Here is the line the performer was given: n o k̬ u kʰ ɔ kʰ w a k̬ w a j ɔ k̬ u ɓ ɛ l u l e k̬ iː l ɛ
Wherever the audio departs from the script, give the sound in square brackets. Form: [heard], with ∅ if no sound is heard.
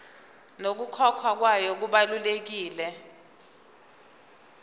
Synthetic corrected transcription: n o k̬ u kʰ ɔ kʰ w a k̬ w a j ɔ k̬ u ɓ [a] l u l e k̬ iː l ɛ